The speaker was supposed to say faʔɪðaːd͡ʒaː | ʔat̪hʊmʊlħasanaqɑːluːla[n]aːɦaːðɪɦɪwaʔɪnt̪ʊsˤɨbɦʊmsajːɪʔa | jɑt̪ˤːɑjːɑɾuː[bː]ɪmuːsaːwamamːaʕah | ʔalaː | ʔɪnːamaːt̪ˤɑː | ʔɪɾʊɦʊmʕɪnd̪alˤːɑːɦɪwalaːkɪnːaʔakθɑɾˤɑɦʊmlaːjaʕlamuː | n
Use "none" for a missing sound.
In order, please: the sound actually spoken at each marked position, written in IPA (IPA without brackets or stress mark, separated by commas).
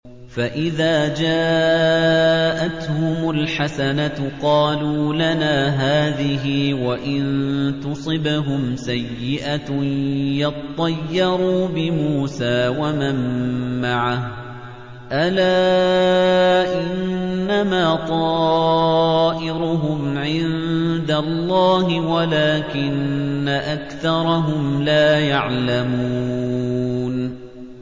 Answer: n, b